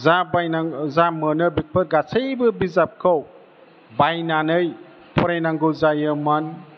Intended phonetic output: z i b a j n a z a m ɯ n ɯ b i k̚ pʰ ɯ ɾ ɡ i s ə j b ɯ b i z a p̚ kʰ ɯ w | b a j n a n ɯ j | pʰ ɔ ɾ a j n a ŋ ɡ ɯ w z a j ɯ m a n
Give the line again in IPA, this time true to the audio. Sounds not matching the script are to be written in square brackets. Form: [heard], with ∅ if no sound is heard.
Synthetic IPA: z [a] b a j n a z a m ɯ n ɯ b i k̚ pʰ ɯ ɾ ɡ [a] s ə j b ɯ b i z a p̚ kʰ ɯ w | b a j n a n ɯ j | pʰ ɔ ɾ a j n a ŋ ɡ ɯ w z a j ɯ m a n